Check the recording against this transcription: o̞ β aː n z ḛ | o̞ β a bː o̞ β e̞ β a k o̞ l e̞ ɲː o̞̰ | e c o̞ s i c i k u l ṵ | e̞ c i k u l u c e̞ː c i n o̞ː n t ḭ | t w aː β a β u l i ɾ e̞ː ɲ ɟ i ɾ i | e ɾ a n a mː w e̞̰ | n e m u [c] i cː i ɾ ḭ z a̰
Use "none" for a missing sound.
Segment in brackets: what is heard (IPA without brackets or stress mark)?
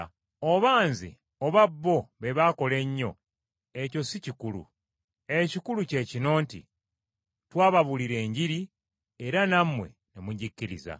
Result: ɟ